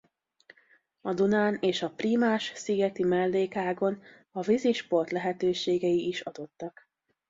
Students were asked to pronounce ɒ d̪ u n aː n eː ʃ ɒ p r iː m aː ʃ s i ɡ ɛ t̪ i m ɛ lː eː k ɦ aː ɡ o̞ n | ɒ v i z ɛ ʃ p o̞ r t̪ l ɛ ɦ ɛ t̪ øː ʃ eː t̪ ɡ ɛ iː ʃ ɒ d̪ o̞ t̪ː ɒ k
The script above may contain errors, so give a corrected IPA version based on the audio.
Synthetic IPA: ɒ d̪ u n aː n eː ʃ ɒ p r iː m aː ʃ s i ɡ ɛ t̪ i m ɛ lː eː k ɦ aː ɡ o̞ n | ɒ v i z i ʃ p o̞ r t̪ l ɛ ɦ ɛ t̪ øː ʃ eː ɡ ɛ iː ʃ ɒ d̪ o̞ t̪ː ɒ k